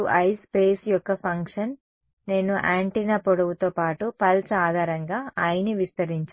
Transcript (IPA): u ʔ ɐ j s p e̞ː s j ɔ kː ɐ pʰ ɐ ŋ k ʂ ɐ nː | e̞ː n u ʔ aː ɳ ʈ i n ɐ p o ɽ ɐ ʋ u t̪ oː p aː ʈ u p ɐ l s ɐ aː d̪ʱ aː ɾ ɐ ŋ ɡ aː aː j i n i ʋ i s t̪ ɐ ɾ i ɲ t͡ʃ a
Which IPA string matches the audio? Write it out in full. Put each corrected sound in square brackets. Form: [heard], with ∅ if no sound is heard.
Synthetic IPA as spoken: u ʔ ɐ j s p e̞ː s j ɔ kː ɐ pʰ ɐ ŋ k ʂ ɐ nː | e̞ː n u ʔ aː ɳ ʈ i n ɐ p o ɽ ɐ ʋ u t̪ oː p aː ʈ u p ɐ l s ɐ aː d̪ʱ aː ɾ ɐ ŋ ɡ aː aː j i n i ʋ i s t̪ ɐ ɾ i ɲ t͡ʃ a